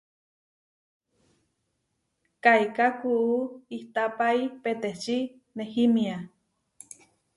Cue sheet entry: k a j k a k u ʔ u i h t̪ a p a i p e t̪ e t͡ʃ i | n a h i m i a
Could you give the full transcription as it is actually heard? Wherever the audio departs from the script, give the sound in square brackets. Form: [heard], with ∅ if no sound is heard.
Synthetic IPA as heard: k a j k a k u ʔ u i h t̪ a p a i p e t̪ e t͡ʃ i | n [e] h i m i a